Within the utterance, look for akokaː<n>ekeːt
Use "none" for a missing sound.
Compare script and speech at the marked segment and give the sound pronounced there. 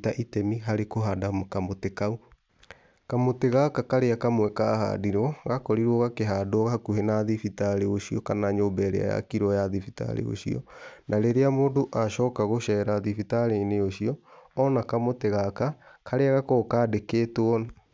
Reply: d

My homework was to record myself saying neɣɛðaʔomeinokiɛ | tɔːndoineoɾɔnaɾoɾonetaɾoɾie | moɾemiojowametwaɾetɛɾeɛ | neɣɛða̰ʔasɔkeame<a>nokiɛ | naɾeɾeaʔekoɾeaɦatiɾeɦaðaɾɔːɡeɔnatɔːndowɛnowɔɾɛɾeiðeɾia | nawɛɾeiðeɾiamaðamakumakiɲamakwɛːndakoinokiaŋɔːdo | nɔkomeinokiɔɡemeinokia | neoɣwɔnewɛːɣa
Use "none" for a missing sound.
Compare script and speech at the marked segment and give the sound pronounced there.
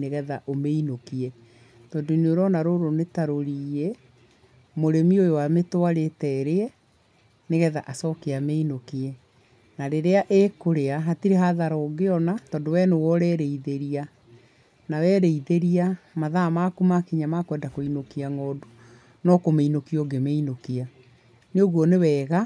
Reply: i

